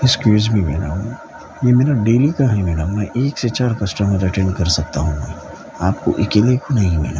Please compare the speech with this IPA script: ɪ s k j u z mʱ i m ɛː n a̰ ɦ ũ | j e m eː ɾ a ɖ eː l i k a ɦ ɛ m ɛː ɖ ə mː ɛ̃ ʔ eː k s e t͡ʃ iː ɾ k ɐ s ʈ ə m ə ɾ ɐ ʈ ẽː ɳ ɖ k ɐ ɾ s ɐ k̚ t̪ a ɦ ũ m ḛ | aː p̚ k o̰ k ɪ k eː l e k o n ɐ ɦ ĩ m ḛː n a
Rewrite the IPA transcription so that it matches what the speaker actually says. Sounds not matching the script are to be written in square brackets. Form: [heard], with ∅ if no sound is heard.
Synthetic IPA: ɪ s k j [uː] z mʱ i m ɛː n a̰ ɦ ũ | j e m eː ɾ a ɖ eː l i k a ɦ ɛ m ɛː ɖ ə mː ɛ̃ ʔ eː k s e t͡ʃ [aː] ɾ k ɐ s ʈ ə m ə ɾ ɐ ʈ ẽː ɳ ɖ k ɐ ɾ s ɐ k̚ t̪ a ɦ ũ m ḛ | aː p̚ k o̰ [ʔ] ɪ k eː l e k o n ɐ ɦ ĩ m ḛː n a